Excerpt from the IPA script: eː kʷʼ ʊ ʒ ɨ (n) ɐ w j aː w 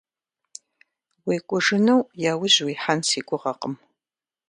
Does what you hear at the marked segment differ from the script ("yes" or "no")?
no